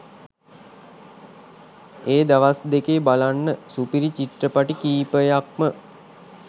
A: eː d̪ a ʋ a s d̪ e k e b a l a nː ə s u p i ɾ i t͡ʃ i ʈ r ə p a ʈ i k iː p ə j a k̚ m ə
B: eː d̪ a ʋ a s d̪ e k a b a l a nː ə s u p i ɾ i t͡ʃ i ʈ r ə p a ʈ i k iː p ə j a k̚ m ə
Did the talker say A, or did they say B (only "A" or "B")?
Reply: A